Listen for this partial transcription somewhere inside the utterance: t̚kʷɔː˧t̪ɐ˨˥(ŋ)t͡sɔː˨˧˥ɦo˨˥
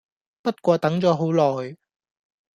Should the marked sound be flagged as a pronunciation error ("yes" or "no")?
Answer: no